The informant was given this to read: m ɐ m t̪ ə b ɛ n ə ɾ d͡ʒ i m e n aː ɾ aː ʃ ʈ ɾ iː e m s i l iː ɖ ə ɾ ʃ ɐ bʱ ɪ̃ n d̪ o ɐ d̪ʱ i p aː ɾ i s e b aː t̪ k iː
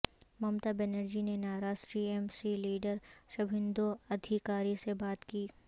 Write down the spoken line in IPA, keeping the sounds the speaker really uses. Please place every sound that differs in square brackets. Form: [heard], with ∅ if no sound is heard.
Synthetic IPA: m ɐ m t̪ [a] b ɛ n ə ɾ d͡ʒ i [n] e n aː ɾ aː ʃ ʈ ɾ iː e m s i l iː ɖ ə ɾ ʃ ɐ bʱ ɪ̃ n d̪ o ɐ d̪ʱ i [k] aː ɾ i s e b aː t̪ k iː